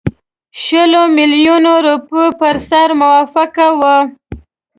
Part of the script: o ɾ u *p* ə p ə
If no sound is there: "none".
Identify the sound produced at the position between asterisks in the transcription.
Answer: p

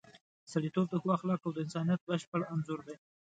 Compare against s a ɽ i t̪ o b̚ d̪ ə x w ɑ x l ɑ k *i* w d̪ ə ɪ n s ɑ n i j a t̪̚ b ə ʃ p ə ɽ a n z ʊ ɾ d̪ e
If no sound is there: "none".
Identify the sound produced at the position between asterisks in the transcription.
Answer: a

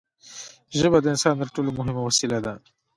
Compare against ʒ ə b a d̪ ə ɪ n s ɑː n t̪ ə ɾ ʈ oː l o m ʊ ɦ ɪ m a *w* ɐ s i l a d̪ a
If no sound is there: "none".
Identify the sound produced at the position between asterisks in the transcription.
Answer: w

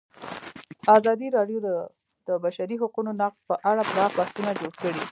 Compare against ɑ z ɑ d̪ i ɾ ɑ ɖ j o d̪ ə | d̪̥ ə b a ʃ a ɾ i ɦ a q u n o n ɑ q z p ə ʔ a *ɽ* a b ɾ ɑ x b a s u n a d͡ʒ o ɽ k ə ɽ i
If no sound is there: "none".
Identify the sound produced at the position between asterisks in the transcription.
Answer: ɽ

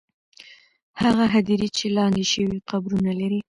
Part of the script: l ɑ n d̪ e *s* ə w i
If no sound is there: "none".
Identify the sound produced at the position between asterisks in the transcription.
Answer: ʃ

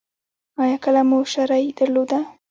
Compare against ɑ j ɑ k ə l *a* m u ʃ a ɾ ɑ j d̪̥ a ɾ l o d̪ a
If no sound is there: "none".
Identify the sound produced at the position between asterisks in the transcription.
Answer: a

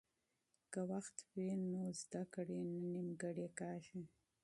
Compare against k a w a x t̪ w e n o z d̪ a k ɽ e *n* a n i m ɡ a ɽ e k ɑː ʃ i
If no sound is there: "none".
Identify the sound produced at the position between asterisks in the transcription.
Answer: n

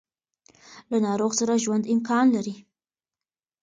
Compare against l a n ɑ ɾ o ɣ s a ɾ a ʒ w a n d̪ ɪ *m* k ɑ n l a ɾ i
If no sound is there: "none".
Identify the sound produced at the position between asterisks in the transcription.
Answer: m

